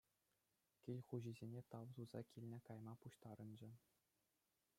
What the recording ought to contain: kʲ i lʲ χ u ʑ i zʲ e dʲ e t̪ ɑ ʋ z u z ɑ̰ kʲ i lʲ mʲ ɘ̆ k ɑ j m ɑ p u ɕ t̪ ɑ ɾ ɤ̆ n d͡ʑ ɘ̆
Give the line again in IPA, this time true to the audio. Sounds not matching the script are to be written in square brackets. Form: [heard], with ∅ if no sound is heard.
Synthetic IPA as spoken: kʲ i lʲ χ u ʑ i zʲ e [nʲ] e t̪ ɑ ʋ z u z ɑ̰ kʲ i lʲ [nʲ] ɘ̆ k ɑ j m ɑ p u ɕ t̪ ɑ ɾ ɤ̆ n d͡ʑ ɘ̆